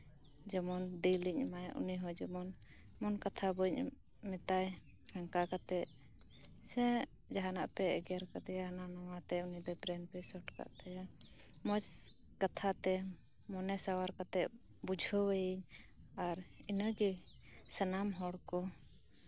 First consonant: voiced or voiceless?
voiced